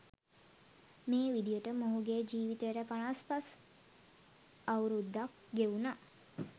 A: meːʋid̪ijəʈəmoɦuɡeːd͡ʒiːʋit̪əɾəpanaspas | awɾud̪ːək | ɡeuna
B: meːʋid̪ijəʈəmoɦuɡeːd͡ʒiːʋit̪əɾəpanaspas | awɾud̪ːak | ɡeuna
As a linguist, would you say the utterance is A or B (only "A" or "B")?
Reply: B